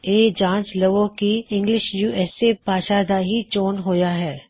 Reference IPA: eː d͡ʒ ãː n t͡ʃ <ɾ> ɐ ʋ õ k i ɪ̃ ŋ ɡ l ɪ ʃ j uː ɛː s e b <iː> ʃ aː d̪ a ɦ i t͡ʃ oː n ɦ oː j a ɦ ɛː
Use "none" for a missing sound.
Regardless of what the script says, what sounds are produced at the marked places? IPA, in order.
l, aː

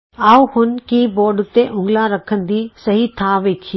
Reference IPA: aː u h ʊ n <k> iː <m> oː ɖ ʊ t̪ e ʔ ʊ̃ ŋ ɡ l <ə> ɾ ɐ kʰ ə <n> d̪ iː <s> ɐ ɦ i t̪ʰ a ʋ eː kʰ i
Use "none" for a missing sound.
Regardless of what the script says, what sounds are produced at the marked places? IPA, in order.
k, b, a, n, s

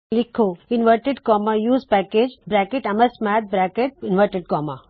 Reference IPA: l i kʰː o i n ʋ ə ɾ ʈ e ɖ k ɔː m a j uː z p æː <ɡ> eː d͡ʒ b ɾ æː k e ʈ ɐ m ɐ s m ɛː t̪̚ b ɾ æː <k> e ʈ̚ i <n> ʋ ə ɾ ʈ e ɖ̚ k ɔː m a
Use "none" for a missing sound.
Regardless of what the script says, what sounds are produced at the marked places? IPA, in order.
k, k, n

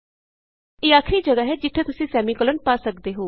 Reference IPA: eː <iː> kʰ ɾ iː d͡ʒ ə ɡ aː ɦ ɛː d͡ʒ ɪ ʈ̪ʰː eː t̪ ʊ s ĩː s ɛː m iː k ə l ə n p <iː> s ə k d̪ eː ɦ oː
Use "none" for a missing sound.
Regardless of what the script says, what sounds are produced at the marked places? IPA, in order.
aː, aː

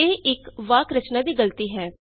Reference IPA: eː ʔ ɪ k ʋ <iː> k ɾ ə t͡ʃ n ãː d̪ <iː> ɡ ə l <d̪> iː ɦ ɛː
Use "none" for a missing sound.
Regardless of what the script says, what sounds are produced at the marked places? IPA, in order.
aː, iː, t̪

